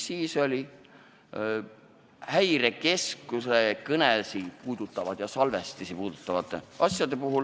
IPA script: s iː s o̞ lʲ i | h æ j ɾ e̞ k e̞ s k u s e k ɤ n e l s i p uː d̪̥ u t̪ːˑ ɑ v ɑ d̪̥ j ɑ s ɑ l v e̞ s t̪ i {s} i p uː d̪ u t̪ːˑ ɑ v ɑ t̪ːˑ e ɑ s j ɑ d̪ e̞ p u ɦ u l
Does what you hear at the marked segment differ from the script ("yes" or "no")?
no